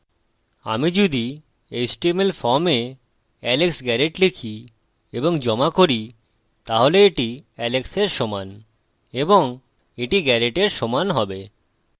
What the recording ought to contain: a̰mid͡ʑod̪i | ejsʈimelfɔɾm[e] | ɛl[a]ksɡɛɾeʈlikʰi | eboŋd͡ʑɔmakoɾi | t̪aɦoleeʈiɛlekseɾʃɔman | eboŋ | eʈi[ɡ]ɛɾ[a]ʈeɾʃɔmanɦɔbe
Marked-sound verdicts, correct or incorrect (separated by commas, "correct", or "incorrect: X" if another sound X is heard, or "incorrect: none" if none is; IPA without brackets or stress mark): correct, incorrect: e, correct, incorrect: e